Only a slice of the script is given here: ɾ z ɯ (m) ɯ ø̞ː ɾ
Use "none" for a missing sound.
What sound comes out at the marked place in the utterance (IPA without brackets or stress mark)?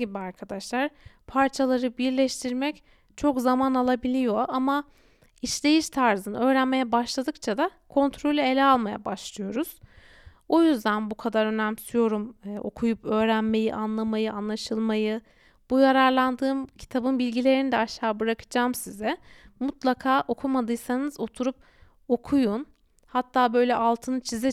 n